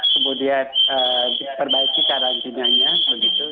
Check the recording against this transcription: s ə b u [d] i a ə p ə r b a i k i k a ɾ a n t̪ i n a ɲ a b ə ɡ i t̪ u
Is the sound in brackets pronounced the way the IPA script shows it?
yes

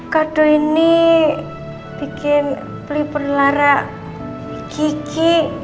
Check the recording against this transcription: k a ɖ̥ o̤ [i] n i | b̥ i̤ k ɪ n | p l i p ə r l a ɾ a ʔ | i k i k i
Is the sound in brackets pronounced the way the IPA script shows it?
yes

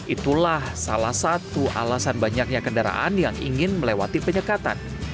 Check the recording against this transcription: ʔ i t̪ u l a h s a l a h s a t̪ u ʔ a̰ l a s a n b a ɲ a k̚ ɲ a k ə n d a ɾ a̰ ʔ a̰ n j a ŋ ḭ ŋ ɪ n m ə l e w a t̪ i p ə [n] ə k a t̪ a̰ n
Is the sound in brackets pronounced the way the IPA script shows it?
no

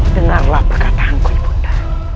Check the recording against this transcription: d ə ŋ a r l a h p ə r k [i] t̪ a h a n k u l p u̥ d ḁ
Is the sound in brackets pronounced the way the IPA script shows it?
no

